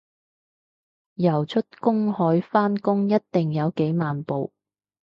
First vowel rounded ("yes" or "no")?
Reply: no